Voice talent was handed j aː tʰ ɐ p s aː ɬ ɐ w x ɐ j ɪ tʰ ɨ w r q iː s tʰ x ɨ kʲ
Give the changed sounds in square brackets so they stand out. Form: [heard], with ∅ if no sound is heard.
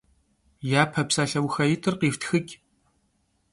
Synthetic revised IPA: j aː [pʰ] ɐ p s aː ɬ ɐ w x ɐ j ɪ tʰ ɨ [∅] r q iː [f] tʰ x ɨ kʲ